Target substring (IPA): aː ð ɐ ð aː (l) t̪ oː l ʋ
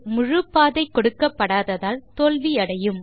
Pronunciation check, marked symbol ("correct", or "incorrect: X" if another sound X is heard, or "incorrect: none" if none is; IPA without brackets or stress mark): correct